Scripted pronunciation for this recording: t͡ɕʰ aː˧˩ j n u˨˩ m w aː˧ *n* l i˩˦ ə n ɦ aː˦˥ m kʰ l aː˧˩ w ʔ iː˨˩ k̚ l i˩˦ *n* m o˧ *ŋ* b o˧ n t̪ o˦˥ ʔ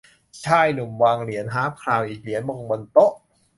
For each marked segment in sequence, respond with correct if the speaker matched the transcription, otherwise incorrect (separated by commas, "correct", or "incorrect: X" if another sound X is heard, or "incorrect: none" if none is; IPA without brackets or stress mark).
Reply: incorrect: ŋ, correct, correct